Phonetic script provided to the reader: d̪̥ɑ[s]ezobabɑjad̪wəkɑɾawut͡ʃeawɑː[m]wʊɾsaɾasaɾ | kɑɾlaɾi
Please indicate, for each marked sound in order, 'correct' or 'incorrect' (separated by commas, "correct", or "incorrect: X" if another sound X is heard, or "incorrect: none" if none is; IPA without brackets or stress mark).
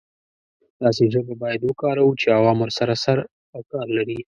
correct, correct